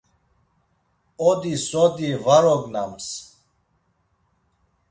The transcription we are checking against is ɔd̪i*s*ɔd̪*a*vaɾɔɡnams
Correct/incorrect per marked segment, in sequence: correct, incorrect: i

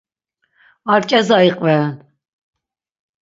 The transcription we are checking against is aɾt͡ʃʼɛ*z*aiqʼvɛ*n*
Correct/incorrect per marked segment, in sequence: correct, correct

